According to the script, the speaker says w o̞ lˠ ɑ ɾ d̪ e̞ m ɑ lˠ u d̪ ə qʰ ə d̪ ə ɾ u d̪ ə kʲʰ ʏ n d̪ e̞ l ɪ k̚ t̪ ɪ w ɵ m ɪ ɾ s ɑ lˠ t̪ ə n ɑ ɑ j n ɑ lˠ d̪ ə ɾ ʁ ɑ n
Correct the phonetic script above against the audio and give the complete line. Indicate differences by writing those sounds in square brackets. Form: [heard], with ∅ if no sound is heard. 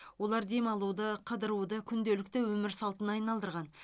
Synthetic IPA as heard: w o̞ lˠ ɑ ɾ d̪ e̞ m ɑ lˠ u d̪ ə qʰ ə d̪ ə ɾ u d̪ ə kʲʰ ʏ n d̪ e̞ l ɪ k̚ t̪ ɪ w ɵ m ɪ ɾ s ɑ lˠ t̪ ə n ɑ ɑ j n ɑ lˠ d̪ ə ɾ ʁ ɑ n